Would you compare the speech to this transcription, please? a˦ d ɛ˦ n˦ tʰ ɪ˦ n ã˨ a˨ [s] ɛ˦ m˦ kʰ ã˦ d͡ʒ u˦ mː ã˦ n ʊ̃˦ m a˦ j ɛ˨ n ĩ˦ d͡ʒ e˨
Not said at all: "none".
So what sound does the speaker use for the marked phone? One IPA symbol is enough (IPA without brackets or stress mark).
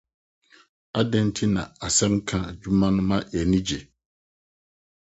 s